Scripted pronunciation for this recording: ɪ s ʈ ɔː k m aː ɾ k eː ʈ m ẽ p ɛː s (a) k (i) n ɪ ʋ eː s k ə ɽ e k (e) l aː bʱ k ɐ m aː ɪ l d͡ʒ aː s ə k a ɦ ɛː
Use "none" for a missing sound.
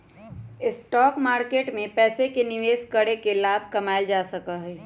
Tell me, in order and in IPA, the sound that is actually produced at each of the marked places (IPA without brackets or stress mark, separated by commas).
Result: e, e, e